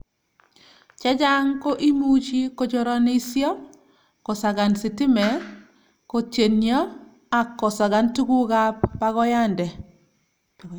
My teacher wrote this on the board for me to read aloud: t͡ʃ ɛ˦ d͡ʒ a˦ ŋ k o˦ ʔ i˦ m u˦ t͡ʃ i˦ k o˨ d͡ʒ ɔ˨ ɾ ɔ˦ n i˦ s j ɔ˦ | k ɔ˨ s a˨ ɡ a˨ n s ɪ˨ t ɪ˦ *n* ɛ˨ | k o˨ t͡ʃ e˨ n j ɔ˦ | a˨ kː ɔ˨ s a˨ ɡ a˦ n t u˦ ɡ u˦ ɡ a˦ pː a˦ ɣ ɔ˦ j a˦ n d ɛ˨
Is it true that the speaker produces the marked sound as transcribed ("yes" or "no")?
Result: no